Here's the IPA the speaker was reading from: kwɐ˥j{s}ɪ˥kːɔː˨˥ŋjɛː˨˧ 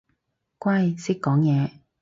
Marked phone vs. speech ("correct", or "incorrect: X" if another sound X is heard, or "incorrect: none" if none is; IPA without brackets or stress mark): correct